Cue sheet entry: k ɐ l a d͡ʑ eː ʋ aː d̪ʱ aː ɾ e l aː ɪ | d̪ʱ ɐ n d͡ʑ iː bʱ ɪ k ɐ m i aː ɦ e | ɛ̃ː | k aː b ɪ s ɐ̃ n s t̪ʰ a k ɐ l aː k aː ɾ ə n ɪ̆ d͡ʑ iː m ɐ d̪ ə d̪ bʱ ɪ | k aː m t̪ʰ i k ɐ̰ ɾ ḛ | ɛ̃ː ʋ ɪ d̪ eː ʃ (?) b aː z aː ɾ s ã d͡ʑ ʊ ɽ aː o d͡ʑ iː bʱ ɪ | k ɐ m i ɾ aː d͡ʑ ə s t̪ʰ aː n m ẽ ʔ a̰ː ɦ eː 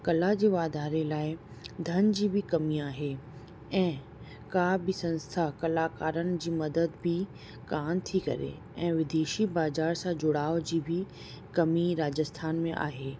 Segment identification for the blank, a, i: i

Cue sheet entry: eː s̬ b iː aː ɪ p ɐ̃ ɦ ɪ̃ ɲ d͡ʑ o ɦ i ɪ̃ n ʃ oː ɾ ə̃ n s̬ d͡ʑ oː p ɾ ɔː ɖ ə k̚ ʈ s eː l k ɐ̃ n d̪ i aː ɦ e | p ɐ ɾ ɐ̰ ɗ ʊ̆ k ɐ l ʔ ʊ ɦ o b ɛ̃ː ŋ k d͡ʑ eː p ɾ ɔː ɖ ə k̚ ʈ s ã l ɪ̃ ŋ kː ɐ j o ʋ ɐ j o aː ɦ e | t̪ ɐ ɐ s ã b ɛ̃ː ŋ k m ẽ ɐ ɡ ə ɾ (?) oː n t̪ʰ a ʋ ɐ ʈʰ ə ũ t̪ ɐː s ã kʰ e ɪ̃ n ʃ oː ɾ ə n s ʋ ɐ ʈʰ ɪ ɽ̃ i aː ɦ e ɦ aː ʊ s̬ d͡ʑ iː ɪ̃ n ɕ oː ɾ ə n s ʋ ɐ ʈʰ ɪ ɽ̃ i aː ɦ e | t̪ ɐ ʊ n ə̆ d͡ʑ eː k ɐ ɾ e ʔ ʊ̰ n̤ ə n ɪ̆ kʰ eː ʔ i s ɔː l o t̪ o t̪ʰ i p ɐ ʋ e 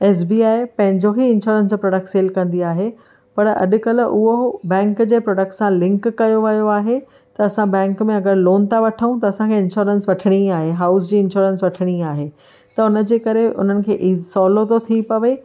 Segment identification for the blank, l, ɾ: l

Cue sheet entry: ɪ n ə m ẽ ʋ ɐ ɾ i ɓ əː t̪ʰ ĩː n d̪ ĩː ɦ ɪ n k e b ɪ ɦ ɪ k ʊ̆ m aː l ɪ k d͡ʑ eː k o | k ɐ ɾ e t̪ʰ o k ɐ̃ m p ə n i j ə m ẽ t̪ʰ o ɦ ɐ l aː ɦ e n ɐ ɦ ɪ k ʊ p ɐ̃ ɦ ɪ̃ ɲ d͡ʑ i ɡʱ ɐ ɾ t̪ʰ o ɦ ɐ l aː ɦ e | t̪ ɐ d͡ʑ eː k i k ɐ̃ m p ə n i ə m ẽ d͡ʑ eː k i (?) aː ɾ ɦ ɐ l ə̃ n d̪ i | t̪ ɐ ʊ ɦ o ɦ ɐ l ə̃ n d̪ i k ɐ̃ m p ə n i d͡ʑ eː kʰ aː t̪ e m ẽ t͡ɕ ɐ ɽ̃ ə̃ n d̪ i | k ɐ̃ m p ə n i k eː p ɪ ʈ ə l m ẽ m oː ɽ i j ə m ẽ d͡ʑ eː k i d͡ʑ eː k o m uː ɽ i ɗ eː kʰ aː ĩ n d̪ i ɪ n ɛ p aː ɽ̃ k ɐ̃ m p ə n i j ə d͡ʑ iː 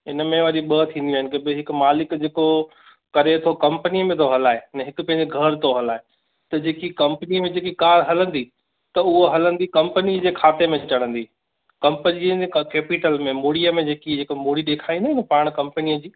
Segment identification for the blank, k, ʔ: k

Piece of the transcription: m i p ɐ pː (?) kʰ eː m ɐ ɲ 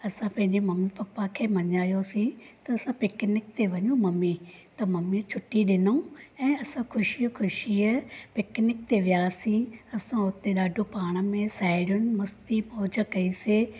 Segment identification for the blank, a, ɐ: a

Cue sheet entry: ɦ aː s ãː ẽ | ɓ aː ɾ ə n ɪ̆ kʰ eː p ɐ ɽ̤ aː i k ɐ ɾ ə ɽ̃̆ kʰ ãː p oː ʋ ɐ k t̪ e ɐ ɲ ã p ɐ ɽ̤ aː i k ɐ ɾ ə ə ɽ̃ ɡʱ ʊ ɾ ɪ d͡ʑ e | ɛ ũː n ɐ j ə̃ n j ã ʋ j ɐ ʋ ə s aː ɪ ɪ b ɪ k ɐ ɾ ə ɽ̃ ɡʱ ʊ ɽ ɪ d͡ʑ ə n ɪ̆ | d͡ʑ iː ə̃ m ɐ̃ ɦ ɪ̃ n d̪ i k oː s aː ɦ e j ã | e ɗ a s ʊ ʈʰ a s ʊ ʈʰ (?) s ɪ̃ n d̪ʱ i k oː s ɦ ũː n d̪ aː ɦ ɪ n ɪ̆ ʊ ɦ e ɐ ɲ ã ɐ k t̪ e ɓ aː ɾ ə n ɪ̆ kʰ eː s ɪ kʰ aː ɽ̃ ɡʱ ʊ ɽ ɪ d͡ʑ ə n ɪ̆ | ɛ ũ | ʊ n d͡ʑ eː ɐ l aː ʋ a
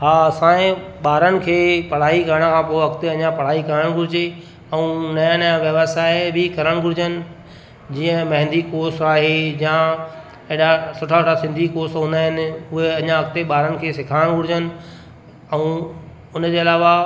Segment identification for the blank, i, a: a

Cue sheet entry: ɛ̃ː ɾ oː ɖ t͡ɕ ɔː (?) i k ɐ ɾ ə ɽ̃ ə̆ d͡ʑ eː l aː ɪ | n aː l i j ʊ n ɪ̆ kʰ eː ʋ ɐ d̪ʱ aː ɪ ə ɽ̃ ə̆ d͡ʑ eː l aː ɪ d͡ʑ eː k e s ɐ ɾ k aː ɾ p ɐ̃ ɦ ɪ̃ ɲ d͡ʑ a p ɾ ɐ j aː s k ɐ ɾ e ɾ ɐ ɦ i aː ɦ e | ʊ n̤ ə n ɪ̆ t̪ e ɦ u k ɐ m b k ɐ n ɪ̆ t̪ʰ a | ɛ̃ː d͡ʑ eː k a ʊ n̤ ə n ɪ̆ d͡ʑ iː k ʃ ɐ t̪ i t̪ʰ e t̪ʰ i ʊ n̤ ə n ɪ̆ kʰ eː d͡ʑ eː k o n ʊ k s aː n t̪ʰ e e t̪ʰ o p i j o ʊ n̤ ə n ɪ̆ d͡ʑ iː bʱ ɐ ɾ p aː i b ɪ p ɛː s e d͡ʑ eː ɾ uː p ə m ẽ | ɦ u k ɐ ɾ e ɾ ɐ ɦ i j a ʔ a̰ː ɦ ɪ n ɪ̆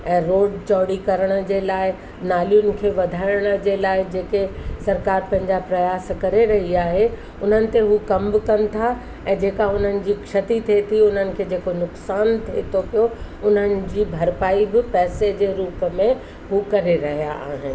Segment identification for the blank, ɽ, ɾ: ɽ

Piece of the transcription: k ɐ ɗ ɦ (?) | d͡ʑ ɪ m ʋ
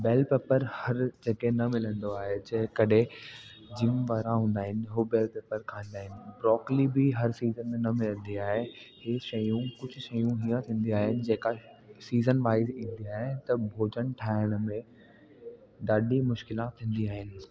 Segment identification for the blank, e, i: e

